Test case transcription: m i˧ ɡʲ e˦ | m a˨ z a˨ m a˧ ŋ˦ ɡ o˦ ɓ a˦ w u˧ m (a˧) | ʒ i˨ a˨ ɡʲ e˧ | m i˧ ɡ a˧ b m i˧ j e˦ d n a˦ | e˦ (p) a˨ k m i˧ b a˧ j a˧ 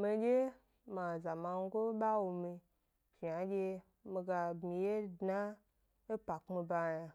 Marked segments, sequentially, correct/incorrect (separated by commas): incorrect, correct